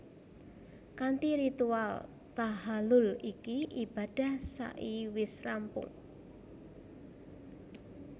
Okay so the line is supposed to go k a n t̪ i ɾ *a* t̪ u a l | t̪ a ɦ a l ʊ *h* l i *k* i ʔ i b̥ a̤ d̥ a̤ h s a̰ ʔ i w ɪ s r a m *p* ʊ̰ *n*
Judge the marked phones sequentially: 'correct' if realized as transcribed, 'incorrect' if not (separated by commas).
incorrect, incorrect, correct, correct, incorrect